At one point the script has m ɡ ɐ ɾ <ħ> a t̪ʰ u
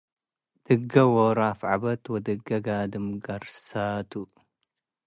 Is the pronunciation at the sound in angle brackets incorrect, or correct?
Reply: incorrect